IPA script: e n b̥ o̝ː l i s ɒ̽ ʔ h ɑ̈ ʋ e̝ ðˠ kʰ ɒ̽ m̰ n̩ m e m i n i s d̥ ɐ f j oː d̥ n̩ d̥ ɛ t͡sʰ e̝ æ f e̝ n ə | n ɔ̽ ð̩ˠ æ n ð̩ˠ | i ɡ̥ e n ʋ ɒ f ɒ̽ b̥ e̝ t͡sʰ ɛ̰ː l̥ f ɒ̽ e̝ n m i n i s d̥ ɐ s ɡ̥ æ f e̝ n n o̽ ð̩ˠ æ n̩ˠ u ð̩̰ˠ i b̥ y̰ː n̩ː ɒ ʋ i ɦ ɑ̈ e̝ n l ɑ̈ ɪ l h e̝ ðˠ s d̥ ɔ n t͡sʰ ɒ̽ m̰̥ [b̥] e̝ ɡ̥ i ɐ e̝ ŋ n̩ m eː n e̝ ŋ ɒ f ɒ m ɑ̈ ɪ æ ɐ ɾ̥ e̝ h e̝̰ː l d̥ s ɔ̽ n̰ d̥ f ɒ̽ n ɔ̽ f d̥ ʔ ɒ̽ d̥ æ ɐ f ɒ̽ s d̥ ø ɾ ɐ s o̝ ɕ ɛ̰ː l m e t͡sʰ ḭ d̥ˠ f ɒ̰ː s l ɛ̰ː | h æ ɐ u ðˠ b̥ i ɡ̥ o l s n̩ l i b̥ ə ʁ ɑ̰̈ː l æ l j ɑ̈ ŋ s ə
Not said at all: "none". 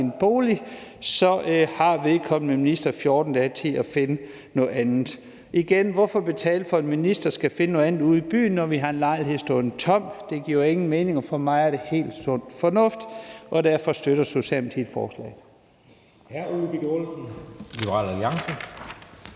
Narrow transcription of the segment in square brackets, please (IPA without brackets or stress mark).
d̥